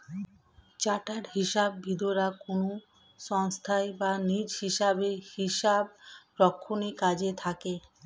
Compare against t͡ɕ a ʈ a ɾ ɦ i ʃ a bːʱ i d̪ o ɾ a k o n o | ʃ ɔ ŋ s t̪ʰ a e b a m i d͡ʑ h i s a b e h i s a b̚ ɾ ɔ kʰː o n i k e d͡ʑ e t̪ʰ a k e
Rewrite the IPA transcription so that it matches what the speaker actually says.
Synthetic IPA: t͡ɕ a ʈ a ɾ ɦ i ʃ a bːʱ i d̪ o ɾ a k o n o | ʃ ɔ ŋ s t̪ʰ a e b a n i d͡ʑ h i ʃ a b e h i ʃ a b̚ ɾ ɔ kʰː o n i k a d͡ʑ e t̪ʰ a k e